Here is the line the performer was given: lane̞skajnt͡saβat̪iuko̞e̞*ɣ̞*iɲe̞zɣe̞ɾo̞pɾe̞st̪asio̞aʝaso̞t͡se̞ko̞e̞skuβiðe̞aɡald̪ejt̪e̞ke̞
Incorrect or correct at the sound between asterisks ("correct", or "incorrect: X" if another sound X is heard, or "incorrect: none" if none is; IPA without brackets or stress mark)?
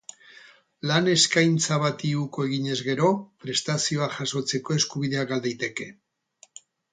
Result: correct